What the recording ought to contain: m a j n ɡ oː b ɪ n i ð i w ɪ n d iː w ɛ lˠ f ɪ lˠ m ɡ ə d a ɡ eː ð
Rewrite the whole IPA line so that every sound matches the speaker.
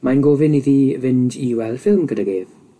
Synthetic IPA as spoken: m a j n ɡ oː v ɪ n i ð i v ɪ n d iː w ɛ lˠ f ɪ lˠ m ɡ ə d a ɡ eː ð